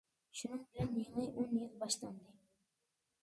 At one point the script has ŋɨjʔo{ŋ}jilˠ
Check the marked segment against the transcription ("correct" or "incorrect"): incorrect